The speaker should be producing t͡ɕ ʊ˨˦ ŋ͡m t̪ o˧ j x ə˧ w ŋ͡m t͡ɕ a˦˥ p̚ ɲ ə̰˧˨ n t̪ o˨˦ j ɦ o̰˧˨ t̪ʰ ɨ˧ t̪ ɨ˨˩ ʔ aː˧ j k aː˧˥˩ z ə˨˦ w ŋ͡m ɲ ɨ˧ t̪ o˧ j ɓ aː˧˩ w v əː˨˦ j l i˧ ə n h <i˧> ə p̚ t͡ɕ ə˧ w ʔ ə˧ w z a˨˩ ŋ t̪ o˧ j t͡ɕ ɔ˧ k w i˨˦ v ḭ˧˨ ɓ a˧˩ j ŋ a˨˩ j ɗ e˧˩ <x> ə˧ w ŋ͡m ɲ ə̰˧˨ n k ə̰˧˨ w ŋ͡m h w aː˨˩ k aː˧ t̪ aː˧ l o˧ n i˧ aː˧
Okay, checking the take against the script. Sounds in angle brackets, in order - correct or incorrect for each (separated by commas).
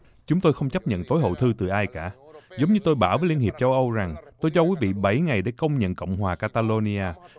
incorrect, incorrect